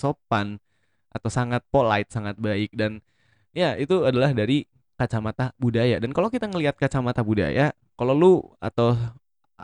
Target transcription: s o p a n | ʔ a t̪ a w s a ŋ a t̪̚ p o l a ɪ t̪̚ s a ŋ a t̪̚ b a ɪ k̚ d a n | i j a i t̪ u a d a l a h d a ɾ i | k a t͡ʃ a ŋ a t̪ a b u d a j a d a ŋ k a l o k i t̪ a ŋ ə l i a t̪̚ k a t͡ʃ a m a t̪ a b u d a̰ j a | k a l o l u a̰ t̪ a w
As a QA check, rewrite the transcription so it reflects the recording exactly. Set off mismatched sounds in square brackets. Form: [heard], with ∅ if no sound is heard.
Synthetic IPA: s o p a n | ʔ a t̪ a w s a ŋ a t̪̚ p o l a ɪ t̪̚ s a ŋ a t̪̚ b a ɪ k̚ d a n | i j a i t̪ u a d a l a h d a ɾ i | k a t͡ʃ a [m] a t̪ a b u d a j a d a [n] k a l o k i t̪ a ŋ ə l i a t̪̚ k a t͡ʃ a m a t̪ a b u d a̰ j a | k a l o l u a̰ t̪ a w